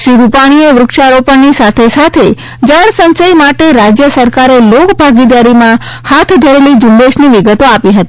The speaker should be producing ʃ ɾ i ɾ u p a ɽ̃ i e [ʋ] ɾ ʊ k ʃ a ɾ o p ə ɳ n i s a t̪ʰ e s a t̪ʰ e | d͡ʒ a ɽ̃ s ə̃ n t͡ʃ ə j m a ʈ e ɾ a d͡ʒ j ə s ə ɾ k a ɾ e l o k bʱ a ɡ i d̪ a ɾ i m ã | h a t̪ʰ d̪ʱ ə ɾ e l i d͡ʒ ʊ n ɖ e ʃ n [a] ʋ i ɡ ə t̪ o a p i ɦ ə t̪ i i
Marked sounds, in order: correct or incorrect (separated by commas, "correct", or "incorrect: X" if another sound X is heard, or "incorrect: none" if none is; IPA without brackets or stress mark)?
correct, incorrect: i